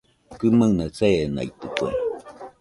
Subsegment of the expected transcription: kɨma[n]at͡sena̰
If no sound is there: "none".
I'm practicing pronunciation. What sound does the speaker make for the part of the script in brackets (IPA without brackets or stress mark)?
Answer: n